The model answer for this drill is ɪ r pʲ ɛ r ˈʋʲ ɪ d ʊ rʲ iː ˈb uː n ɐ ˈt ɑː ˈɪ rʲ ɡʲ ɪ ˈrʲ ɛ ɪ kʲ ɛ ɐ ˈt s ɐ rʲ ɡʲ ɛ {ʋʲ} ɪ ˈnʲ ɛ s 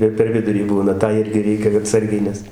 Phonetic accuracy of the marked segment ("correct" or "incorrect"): incorrect